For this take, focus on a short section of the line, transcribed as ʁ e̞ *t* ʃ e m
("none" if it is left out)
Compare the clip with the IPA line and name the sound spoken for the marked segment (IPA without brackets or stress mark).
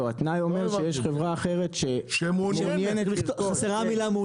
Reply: t